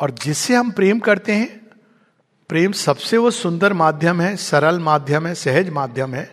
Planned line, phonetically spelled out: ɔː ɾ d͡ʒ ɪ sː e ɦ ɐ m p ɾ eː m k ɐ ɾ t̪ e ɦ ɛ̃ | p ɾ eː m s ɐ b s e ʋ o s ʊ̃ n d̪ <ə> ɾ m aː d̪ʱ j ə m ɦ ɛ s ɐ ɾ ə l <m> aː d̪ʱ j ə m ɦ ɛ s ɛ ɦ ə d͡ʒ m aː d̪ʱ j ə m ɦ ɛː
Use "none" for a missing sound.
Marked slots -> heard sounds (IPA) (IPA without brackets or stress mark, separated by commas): ə, m